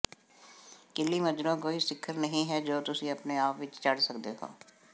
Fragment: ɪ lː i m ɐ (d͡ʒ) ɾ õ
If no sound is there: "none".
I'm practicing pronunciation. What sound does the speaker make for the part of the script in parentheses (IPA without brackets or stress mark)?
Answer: d͡ʒ